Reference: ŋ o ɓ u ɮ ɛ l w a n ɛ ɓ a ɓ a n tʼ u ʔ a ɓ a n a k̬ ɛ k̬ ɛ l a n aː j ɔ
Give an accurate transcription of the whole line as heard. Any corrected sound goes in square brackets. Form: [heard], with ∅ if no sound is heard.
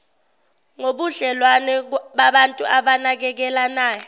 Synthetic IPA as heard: ŋ o ɓ u ɮ ɛ l w a n ɛ ɓ a ɓ a n tʼ u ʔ a ɓ a n a k̬ ɛ k̬ ɛ l a n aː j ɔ